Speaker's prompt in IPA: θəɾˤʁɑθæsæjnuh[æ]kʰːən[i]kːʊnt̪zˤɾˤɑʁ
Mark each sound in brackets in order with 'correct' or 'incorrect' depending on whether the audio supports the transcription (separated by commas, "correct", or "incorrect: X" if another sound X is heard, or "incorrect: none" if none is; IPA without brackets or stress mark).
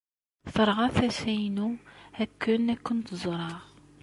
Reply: correct, incorrect: æ